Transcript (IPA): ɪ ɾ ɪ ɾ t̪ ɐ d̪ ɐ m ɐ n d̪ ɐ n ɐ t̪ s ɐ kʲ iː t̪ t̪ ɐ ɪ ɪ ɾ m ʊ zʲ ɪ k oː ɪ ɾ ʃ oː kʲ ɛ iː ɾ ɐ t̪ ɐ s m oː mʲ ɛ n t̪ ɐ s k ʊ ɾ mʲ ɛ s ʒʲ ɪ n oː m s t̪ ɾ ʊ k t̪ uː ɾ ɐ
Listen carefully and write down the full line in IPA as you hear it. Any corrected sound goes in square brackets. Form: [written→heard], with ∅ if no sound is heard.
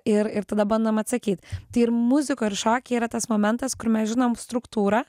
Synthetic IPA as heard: ɪ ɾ ɪ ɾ t̪ ɐ d̪ ɐ [m→b] ɐ n d̪ ɐ [n→m] ɐ t̪ s ɐ kʲ iː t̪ t̪ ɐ ɪ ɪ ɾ m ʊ zʲ ɪ k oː ɪ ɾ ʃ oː kʲ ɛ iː ɾ ɐ t̪ ɐ s m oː mʲ ɛ n t̪ ɐ s k ʊ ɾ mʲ ɛ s ʒʲ ɪ n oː m s t̪ ɾ ʊ k t̪ uː ɾ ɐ